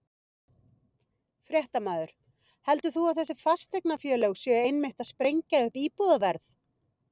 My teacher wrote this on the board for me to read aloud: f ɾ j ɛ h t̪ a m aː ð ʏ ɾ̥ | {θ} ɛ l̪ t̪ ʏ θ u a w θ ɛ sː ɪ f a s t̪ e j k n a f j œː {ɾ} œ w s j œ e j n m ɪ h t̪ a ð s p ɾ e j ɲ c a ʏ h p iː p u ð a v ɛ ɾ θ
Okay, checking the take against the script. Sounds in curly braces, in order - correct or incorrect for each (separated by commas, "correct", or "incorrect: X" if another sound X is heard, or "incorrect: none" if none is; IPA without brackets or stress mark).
incorrect: h, incorrect: l